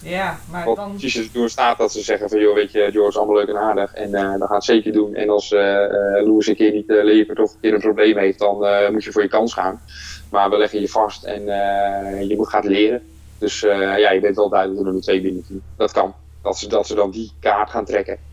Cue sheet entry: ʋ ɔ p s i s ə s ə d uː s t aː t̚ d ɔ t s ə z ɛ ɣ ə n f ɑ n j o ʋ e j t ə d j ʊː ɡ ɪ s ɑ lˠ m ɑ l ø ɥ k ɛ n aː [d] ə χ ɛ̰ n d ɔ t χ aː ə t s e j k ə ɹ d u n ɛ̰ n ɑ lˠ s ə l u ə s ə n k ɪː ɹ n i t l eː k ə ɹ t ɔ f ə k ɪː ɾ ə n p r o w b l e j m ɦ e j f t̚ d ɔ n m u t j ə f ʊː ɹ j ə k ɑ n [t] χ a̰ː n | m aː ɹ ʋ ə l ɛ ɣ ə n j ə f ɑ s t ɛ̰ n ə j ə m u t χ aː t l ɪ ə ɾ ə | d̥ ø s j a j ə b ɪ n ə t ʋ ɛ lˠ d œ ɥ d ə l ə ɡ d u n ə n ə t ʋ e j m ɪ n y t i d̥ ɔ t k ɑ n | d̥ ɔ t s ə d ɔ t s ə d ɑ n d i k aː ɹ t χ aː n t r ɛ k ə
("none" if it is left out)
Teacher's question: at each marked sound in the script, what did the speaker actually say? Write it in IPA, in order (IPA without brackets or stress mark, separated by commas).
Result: d, s